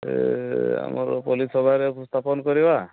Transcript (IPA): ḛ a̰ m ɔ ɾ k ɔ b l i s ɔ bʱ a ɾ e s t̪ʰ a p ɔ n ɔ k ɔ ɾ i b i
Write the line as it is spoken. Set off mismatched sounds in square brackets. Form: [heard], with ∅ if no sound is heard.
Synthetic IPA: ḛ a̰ m ɔ ɾ [p] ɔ [∅] l i s ɔ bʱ a ɾ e s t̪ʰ a p ɔ n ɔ k ɔ ɾ i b [a]